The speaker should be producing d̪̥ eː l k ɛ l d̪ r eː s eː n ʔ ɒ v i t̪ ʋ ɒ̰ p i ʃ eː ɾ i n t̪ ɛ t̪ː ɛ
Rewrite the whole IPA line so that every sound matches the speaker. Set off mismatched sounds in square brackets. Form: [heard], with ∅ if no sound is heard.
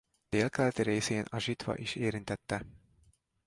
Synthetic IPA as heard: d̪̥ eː l k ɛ l [t̪] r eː s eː n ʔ ɒ [ʒ] i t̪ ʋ ɒ̰ [ʔ] i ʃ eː ɾ i n t̪ ɛ t̪ː ɛ